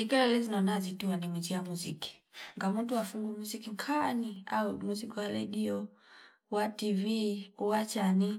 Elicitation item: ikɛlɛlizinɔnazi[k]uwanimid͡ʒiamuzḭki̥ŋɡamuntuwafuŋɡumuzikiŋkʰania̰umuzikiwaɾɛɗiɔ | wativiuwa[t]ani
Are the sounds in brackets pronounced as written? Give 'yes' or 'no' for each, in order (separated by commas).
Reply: no, no